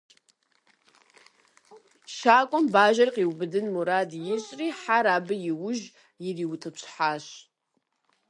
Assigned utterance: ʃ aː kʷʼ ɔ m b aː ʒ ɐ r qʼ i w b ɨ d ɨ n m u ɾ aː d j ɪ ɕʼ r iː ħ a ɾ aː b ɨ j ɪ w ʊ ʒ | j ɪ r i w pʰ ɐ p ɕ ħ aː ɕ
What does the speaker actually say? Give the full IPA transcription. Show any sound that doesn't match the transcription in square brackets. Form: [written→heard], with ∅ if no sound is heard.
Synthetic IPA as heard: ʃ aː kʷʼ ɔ m b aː ʒ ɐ r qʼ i w b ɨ d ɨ n m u ɾ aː d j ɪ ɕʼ r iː ħ a ɾ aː b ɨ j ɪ w ʊ ʒ | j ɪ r i w [pʰ→tʰ] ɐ p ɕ ħ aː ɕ